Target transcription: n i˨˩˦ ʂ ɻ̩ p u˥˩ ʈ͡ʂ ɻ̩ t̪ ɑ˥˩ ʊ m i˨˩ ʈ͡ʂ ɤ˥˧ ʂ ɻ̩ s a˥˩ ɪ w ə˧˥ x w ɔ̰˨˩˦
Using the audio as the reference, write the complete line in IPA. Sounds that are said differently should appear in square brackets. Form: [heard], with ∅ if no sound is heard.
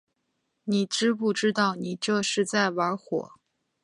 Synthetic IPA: n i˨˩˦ [ʈ͡ʂ] ɻ̩ p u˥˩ ʈ͡ʂ ɻ̩ t̪ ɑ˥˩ ʊ [n] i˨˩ ʈ͡ʂ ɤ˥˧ ʂ ɻ̩ [t͡s] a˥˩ ɪ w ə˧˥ x w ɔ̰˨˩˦